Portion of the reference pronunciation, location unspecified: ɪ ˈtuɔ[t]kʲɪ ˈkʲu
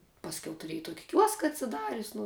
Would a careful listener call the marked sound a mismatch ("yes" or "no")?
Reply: yes